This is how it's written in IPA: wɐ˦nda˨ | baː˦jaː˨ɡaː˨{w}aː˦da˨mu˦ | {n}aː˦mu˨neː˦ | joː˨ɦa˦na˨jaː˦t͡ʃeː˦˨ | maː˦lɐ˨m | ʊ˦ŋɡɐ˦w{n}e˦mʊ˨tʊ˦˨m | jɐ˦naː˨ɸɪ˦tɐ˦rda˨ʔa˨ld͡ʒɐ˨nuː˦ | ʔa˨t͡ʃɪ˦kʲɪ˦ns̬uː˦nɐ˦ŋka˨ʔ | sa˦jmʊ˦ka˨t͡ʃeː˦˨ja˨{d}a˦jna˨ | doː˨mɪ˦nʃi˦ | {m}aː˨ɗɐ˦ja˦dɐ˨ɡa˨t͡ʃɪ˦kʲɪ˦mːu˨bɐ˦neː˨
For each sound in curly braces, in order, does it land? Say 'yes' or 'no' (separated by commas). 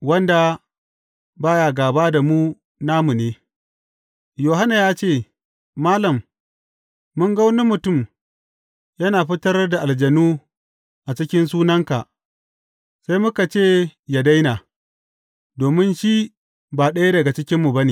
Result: no, yes, yes, yes, no